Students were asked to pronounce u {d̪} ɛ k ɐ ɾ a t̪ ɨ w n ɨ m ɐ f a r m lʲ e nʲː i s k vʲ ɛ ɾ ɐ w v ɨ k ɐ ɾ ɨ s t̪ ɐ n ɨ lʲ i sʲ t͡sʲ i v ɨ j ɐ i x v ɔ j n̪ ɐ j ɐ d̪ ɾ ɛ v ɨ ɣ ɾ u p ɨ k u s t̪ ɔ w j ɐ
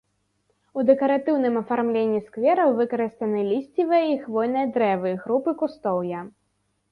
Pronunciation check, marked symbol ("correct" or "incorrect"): correct